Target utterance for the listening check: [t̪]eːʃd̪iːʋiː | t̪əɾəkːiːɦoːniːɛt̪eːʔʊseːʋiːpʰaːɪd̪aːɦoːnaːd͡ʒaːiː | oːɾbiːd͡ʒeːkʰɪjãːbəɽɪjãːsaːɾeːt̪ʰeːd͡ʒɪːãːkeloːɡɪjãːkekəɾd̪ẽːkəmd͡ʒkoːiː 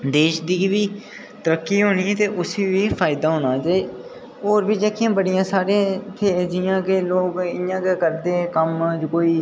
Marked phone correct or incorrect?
incorrect: d̪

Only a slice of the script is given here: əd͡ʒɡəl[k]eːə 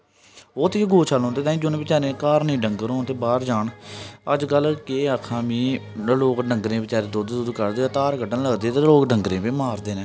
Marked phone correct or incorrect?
correct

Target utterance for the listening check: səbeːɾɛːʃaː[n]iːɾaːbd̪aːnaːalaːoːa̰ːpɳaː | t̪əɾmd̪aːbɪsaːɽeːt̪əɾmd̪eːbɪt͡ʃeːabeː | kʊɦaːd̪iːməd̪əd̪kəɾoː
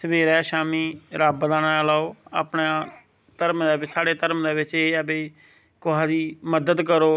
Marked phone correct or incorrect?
incorrect: m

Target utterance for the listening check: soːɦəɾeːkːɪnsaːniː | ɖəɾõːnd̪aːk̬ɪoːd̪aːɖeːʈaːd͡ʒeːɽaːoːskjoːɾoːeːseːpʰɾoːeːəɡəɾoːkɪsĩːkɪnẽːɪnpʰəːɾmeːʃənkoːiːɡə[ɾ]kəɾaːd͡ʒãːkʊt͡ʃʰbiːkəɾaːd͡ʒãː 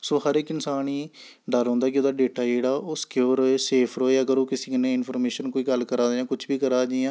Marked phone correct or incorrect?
incorrect: l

